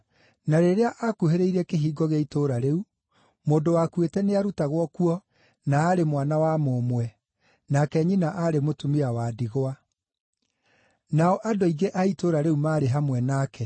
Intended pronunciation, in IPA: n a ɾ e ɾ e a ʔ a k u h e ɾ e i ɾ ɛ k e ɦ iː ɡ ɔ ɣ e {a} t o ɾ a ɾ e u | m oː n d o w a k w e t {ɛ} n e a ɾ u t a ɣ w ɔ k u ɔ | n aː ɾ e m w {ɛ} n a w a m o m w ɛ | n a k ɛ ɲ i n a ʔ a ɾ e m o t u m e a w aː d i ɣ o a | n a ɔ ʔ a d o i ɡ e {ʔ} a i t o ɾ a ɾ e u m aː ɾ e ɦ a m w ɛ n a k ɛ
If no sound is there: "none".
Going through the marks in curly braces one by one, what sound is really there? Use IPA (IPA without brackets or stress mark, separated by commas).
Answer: i, ɛ, a, ʔ